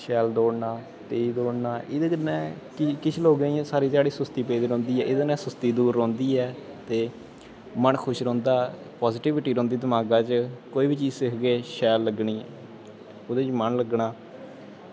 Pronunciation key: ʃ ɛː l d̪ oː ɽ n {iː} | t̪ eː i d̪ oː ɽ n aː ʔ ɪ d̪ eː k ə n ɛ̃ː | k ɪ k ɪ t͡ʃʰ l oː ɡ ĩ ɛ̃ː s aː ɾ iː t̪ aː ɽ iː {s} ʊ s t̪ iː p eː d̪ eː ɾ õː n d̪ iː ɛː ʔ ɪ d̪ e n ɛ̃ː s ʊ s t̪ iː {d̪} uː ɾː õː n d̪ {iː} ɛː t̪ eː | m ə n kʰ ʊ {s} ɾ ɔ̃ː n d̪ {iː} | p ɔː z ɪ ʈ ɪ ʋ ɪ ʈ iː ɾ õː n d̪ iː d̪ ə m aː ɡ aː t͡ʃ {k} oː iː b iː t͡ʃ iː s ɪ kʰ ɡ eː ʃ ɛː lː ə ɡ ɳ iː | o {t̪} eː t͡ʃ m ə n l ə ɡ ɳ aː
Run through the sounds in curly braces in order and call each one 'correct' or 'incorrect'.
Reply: incorrect: aː, correct, correct, correct, incorrect: ʃ, incorrect: aː, correct, incorrect: d̪

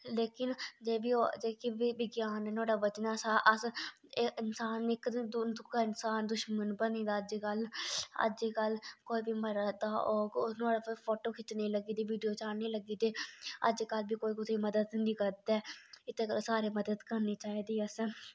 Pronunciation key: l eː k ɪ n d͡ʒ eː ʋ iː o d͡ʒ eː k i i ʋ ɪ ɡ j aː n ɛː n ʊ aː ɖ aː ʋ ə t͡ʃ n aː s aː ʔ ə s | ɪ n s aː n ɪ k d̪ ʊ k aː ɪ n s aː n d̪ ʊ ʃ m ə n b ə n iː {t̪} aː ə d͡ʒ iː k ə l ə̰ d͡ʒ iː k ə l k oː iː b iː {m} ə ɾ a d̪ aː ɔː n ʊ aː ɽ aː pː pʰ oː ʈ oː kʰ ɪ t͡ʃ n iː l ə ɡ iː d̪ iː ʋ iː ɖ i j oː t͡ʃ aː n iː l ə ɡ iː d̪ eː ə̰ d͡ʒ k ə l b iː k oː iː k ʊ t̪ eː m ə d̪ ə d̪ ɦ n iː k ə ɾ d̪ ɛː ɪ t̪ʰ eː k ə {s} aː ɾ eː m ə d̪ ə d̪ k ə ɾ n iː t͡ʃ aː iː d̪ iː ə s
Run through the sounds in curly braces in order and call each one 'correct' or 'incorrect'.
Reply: incorrect: d̪, correct, correct

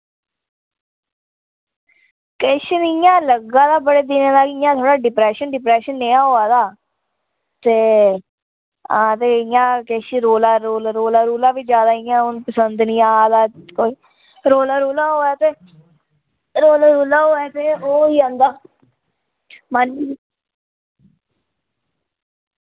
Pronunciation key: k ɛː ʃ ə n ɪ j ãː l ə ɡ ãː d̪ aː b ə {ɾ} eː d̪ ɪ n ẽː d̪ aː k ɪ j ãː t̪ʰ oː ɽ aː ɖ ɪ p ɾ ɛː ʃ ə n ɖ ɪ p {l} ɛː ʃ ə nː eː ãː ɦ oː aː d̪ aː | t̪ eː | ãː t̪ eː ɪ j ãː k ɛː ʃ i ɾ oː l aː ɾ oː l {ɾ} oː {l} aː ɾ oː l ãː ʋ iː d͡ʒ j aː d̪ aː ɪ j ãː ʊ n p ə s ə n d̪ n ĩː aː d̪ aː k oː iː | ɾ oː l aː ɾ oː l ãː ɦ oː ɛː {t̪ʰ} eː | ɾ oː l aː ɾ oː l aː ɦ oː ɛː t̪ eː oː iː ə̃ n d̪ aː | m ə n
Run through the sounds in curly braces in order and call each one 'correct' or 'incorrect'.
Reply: incorrect: ɽ, incorrect: ɾ, correct, correct, incorrect: t̪

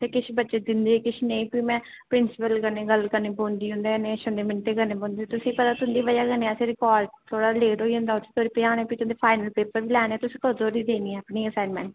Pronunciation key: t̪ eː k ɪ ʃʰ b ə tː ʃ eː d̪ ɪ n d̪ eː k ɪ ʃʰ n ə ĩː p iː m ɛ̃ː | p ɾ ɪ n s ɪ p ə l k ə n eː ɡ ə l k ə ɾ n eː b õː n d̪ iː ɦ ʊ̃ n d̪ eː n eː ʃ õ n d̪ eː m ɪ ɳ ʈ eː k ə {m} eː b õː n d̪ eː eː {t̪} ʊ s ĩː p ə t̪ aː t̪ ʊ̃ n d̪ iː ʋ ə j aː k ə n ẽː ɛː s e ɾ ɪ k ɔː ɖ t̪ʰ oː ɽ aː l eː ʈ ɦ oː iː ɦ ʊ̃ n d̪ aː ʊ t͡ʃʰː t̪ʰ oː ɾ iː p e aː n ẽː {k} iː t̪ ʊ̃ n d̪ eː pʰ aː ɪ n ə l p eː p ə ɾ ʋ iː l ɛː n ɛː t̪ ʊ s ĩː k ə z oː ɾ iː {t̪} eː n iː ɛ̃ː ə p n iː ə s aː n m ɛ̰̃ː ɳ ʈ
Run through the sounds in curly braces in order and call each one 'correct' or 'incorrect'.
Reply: incorrect: n, correct, incorrect: p, incorrect: d̪

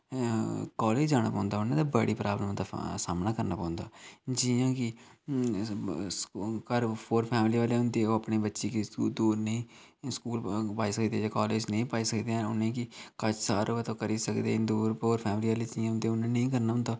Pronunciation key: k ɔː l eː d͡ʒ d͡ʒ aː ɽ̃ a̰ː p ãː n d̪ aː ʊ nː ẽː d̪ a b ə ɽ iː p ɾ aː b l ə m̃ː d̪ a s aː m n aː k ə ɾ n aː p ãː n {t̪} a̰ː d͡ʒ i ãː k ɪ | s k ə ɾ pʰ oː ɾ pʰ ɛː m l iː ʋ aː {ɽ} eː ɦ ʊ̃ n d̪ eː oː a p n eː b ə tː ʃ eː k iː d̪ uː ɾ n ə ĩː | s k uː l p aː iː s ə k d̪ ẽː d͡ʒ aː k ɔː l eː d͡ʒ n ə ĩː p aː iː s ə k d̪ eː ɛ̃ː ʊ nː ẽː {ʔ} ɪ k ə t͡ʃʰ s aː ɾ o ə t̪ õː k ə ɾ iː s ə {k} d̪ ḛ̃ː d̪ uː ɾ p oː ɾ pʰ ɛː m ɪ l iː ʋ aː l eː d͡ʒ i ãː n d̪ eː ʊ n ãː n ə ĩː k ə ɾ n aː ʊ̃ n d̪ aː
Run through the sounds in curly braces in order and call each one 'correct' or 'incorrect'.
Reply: incorrect: d̪, incorrect: l, incorrect: k, correct

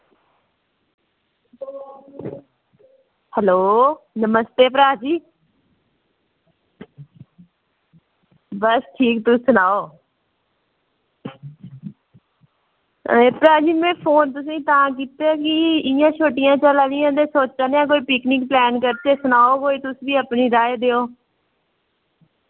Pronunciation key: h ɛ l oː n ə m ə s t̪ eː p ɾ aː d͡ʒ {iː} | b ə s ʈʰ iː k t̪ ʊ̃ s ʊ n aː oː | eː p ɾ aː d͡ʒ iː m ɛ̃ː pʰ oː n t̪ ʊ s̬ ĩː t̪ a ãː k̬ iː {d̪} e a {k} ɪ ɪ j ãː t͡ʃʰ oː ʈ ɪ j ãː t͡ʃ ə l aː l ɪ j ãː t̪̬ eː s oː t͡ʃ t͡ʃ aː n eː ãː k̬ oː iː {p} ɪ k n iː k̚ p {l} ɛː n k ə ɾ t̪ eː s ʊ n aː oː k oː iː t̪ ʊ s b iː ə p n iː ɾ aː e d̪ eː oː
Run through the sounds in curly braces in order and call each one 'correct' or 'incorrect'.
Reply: correct, incorrect: t̪, correct, correct, correct

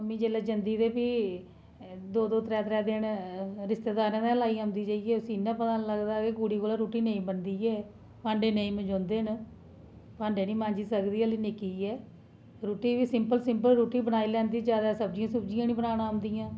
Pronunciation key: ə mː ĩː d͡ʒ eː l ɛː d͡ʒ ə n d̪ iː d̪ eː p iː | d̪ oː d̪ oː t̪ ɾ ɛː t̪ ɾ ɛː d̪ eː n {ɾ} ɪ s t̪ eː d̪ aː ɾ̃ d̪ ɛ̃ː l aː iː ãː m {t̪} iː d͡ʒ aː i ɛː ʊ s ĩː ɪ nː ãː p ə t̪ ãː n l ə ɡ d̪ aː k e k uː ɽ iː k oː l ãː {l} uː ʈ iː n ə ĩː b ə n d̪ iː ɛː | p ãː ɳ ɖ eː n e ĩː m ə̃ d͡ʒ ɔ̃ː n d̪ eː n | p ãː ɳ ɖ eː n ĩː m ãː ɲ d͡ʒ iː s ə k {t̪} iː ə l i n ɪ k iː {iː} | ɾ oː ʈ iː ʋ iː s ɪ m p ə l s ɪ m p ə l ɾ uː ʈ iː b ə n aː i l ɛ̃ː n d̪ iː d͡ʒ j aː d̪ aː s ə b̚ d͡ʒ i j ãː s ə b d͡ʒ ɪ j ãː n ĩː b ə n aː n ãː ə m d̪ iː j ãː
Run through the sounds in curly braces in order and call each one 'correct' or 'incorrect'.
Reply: correct, incorrect: d̪, incorrect: ɾ, incorrect: d̪, incorrect: ɛː

